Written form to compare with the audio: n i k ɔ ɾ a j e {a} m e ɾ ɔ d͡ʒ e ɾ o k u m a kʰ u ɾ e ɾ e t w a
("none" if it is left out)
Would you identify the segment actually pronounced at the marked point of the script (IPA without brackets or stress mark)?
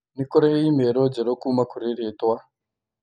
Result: i